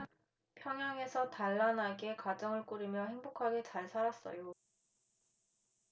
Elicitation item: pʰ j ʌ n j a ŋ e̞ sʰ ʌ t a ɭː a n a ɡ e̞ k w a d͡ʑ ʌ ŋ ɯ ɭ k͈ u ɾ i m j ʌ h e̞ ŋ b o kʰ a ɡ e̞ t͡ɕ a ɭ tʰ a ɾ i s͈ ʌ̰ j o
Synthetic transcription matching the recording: pʰ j ʌ ŋ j a ŋ e̞ sʰ ʌ t a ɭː a n a ɡ e̞ k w a d͡ʑ ʌ ŋ ɯ ɭ k͈ u ɾ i m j ʌ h e̞ ŋ b o kʰ a ɡ e̞ t͡ɕ a ɭ sʰ a ɾ a s͈ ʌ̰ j o